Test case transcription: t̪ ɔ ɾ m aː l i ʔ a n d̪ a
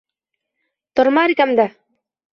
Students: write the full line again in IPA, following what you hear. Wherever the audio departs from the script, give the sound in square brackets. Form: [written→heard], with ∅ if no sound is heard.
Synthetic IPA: t̪ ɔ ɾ m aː [l→ɾ] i [ʔ→k] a [n→m] d̪ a